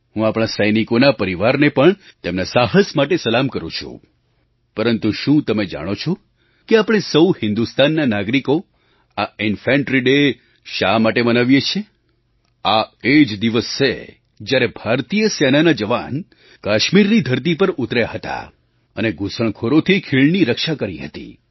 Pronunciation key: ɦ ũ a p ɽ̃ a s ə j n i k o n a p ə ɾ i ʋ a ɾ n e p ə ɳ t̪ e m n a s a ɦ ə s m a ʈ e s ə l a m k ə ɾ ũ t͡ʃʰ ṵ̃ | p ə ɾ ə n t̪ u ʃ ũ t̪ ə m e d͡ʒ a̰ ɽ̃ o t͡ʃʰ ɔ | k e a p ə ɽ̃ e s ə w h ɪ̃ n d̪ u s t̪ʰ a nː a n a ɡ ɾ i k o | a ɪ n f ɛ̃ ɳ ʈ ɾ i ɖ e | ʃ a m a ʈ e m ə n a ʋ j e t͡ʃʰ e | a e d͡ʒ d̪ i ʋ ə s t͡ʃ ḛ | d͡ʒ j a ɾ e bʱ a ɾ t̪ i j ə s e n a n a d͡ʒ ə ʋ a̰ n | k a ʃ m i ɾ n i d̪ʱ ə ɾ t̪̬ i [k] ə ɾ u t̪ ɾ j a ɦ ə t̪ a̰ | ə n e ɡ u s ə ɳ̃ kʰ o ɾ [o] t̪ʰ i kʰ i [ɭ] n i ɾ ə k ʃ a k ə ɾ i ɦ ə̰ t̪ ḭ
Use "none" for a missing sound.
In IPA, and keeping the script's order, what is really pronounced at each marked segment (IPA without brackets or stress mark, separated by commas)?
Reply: p, o, ɭ